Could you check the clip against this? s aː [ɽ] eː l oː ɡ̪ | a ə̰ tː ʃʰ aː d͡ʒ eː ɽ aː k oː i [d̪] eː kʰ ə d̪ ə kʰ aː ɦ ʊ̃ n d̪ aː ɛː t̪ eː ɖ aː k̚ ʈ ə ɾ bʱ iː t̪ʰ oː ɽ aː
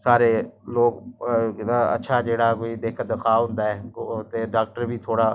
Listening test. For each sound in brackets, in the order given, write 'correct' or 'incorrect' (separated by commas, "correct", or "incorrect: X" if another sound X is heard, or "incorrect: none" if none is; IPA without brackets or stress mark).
incorrect: ɾ, correct